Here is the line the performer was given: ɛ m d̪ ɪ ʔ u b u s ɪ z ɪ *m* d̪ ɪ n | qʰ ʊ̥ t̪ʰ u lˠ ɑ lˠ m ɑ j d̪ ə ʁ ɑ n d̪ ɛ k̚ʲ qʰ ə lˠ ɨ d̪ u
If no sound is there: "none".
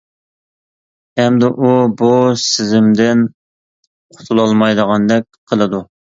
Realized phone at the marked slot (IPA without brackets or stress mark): m